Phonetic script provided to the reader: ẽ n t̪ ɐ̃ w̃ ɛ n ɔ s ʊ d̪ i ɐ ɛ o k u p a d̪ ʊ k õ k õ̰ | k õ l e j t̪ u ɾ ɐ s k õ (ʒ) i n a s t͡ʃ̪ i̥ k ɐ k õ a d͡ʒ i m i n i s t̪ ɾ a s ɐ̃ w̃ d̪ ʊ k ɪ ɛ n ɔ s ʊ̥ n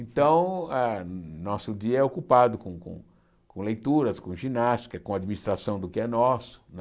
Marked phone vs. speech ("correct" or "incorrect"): correct